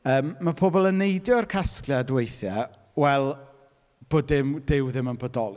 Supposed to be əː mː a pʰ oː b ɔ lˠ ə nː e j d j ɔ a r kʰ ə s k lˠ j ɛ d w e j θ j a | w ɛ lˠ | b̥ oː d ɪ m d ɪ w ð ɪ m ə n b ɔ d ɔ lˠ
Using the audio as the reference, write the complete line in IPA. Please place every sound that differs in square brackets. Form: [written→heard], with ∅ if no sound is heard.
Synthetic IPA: əː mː a pʰ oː b ɔ lˠ ə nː e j d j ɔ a r kʰ [ə→a] s k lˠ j [ɛ→a] d w e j θ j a | w ɛ lˠ | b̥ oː d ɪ m d ɪ w ð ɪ m ə n b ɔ d ɔ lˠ